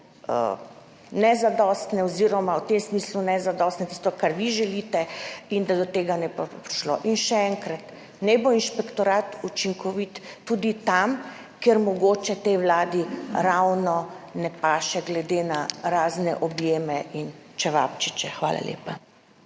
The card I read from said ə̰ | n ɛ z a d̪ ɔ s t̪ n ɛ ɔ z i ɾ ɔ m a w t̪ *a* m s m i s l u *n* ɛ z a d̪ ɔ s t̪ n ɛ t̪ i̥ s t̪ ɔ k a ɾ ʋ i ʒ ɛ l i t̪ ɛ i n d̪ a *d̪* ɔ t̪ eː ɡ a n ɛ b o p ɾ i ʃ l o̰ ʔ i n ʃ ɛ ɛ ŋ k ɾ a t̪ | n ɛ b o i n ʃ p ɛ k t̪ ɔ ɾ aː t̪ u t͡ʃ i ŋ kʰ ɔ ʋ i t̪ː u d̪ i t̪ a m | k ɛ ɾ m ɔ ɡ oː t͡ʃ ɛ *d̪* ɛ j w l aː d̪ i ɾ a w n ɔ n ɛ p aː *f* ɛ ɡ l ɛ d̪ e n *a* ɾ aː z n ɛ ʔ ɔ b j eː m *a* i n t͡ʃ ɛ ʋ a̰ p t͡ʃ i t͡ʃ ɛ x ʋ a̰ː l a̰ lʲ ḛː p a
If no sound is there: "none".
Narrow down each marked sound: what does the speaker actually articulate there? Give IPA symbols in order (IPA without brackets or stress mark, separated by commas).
e, n, d̪, t̪, ʃ, a, ɛ